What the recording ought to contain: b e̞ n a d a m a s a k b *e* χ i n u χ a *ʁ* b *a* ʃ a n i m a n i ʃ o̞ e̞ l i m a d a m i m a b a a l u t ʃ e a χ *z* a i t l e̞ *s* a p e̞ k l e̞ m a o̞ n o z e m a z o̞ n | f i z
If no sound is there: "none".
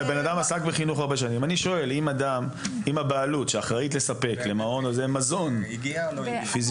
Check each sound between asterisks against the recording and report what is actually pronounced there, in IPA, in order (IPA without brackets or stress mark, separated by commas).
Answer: e, ʁ, e, ʁ, s